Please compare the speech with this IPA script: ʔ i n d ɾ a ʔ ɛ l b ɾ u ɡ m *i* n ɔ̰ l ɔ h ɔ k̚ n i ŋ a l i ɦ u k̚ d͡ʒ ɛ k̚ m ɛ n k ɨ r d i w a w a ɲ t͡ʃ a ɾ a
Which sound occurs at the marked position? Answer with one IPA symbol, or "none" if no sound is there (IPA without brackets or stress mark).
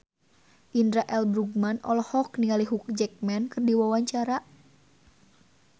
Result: a